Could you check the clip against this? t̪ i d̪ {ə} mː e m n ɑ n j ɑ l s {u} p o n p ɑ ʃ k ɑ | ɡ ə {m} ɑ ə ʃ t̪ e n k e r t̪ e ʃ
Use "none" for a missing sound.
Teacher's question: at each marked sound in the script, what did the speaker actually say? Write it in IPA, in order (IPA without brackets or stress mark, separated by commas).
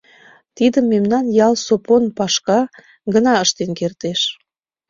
ə, o, n